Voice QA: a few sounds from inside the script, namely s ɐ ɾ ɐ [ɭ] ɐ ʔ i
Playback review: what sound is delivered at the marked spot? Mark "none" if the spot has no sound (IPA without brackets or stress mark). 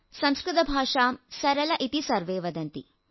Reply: l